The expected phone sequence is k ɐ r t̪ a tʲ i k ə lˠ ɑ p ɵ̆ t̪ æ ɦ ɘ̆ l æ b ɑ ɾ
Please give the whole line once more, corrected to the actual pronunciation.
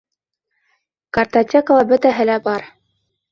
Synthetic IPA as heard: k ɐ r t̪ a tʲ e k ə lˠ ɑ b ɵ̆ t̪ æ ɦ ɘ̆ l æ b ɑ ɾ